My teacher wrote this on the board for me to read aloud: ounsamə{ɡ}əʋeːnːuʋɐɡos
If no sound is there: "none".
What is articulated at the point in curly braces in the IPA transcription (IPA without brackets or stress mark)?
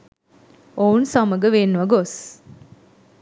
ɡ